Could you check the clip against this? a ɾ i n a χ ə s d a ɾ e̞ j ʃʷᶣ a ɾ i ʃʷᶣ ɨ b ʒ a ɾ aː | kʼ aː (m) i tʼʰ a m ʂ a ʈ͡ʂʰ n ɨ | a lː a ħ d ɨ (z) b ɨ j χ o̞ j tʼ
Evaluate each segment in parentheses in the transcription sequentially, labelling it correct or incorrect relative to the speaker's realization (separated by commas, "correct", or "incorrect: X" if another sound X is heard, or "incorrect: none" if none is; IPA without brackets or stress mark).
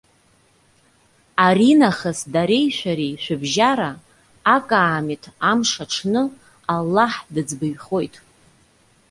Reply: correct, incorrect: d͡z